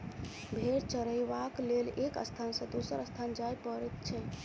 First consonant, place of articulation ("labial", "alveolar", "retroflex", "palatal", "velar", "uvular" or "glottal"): labial